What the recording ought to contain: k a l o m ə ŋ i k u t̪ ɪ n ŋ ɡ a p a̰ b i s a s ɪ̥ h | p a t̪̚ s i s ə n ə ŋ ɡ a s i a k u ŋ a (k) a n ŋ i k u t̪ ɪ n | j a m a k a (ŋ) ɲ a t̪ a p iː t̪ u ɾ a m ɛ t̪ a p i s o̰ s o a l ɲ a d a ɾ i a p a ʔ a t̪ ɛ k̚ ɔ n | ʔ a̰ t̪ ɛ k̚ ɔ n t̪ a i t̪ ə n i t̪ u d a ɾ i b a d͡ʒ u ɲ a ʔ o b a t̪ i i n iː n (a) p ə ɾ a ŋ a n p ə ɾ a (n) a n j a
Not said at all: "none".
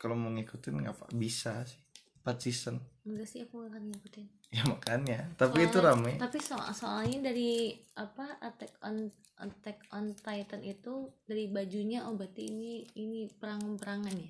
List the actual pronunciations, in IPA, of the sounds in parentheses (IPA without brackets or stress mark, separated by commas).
k, n, i, ŋ